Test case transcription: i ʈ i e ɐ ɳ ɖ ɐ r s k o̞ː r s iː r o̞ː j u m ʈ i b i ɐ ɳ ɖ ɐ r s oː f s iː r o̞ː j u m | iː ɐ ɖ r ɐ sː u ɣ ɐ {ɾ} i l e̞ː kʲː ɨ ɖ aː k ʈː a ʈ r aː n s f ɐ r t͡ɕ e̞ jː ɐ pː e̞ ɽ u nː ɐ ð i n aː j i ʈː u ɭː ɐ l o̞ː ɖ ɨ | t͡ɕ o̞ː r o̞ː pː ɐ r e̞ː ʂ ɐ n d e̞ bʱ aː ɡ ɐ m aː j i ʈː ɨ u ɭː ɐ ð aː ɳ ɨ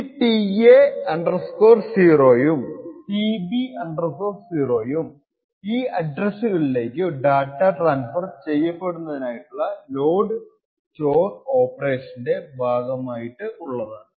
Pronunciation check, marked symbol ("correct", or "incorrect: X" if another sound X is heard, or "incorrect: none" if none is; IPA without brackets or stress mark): incorrect: ɭ